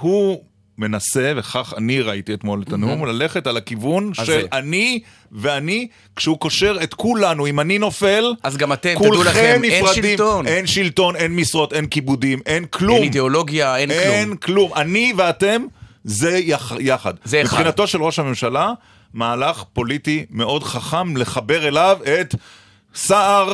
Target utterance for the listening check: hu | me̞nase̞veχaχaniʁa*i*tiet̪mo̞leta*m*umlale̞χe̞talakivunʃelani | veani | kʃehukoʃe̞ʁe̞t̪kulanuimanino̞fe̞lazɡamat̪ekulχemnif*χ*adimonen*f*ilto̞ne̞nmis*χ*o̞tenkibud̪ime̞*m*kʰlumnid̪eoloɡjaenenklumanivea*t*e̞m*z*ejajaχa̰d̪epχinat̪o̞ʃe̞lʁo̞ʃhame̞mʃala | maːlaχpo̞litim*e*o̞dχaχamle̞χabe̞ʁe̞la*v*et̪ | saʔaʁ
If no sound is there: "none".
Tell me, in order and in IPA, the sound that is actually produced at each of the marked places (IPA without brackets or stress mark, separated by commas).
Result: i, n, ʁ, ʃ, ʁ, n, t, z, e, v